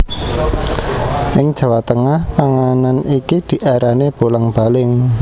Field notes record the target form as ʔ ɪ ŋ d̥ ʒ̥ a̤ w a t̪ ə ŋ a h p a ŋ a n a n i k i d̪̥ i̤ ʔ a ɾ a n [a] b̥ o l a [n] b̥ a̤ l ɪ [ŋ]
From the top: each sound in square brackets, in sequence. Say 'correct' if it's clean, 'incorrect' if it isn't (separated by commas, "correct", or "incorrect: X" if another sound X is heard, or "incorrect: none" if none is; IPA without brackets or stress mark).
incorrect: e, incorrect: ŋ, correct